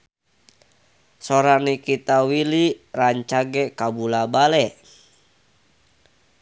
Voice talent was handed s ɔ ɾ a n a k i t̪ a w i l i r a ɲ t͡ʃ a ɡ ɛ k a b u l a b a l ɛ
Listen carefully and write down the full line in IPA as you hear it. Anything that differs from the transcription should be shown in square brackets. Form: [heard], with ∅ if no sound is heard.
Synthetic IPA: s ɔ ɾ a n [i] k i t̪ a w i l i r a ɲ t͡ʃ a ɡ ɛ k a b u l a b a l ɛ